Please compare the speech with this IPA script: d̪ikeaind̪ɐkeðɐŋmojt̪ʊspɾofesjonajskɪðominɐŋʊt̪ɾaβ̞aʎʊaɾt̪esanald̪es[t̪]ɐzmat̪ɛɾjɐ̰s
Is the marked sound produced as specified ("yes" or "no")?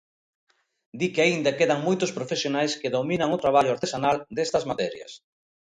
yes